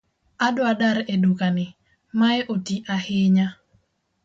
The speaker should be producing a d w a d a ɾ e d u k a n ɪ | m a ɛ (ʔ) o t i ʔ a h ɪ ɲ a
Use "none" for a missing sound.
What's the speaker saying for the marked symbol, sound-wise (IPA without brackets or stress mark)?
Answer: ʔ